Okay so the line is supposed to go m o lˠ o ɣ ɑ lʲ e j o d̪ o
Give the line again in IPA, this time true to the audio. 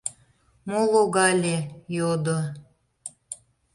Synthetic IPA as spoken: m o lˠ o ɣ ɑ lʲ e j o d̪ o